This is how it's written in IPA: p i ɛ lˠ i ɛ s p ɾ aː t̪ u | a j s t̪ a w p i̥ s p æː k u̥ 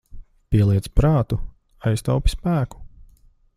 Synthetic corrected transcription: p i ɛ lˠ i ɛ s p ɾ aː t̪ u | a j s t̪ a w p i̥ s p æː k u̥